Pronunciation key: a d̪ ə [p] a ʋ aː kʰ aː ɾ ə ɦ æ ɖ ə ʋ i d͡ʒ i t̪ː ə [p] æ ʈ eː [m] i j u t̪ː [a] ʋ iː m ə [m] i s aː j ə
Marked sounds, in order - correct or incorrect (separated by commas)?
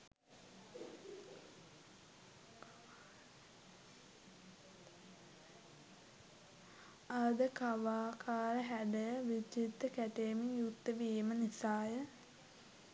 incorrect, incorrect, correct, incorrect, incorrect